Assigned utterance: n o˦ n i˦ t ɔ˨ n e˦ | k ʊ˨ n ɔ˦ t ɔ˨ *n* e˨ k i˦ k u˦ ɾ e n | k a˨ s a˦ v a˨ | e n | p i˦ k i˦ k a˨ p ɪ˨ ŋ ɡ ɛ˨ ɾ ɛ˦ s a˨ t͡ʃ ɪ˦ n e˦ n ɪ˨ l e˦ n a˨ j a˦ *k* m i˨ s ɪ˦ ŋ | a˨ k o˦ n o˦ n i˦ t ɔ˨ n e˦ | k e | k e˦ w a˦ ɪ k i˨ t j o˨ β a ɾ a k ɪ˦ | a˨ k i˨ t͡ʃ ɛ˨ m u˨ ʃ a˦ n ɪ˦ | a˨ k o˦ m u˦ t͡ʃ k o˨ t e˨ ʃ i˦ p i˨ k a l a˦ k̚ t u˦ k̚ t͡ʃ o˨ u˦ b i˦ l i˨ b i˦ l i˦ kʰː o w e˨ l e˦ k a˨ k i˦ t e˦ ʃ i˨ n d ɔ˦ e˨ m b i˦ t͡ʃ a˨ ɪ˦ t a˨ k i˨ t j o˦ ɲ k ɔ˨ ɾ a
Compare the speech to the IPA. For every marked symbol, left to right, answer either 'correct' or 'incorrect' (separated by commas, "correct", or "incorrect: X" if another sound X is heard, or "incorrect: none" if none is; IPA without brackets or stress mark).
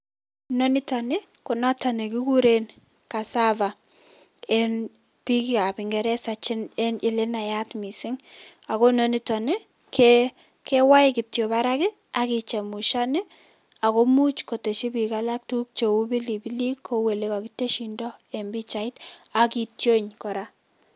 correct, incorrect: t